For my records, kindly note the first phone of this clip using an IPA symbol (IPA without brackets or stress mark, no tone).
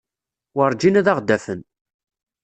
w